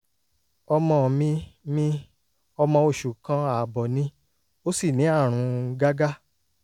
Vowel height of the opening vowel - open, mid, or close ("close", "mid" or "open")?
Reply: mid